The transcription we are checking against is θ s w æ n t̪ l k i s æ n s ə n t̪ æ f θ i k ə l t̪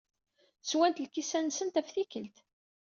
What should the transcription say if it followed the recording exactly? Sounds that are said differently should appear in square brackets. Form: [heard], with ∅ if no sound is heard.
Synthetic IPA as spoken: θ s w æ n t̪ l k i s æ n s ə n t̪ æ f θ i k ə l t̪